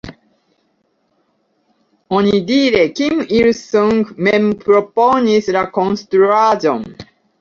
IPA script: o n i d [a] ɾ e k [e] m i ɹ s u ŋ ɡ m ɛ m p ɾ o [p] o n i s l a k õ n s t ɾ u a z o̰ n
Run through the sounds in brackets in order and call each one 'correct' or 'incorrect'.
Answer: incorrect: i, incorrect: i, correct

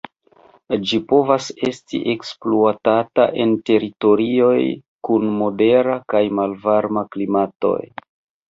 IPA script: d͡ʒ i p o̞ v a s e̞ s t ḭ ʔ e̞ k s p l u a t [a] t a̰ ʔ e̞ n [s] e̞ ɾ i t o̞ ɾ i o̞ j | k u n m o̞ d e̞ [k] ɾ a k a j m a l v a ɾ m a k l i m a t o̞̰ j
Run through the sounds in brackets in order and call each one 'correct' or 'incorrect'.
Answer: correct, incorrect: t, incorrect: none

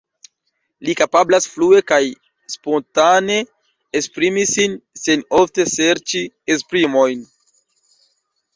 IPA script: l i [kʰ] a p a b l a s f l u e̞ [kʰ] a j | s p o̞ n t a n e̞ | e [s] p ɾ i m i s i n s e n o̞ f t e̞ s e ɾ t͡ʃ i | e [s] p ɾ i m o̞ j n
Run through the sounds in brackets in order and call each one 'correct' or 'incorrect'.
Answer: incorrect: k, incorrect: k, correct, correct

